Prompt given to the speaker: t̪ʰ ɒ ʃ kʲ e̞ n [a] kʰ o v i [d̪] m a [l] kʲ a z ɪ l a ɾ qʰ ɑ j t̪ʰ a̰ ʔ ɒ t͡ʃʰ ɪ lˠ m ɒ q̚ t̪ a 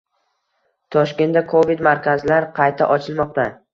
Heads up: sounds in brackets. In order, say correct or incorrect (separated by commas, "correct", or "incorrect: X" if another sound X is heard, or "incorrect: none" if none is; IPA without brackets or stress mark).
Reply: correct, correct, incorrect: ɾ